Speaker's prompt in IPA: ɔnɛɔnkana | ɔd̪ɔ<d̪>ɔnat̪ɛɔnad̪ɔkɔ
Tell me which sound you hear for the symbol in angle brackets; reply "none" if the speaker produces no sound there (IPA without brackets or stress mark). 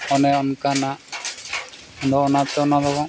none